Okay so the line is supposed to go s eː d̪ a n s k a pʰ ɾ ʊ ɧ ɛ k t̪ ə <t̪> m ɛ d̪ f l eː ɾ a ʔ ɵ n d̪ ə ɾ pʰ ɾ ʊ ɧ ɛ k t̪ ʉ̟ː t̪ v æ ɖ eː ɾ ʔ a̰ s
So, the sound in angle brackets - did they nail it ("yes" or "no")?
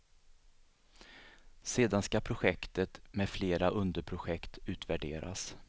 yes